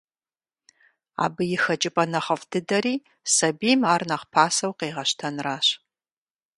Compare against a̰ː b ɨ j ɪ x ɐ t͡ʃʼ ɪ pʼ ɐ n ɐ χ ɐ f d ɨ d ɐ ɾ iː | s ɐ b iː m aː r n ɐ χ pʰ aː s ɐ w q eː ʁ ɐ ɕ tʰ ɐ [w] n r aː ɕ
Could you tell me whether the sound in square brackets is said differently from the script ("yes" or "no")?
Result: yes